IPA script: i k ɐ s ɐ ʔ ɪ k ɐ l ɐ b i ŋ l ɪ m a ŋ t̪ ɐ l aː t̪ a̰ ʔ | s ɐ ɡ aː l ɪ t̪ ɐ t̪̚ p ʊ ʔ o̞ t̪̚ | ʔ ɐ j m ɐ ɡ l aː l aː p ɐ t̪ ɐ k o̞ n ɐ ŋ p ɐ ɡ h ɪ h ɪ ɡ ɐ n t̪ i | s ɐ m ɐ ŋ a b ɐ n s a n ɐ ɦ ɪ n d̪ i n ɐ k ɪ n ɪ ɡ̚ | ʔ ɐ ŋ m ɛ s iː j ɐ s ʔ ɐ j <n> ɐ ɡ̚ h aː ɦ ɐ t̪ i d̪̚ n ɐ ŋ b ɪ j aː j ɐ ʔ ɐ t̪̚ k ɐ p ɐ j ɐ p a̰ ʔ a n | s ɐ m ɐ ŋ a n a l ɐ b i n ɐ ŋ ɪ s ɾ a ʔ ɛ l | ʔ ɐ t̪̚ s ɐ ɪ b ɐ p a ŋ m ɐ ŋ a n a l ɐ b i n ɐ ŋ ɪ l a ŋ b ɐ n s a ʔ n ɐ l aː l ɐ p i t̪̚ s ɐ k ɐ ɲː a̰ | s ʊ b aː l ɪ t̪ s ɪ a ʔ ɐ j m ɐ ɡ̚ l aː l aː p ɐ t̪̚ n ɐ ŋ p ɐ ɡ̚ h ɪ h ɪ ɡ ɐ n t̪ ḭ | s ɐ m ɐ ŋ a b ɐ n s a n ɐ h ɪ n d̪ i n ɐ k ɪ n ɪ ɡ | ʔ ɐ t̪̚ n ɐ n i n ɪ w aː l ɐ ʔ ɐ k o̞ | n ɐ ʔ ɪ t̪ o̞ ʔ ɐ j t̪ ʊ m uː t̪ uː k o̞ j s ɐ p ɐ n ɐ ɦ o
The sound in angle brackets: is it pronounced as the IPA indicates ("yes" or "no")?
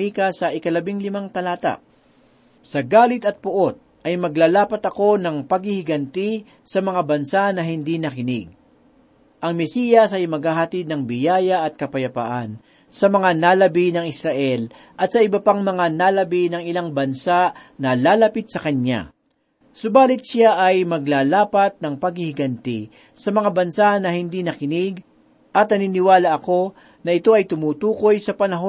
no